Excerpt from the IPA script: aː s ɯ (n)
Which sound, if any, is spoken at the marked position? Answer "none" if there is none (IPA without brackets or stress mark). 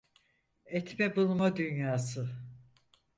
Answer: none